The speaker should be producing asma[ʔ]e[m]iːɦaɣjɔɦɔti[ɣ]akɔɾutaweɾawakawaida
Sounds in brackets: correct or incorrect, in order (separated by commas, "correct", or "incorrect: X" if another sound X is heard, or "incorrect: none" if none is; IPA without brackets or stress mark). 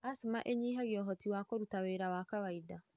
correct, incorrect: ɲ, incorrect: w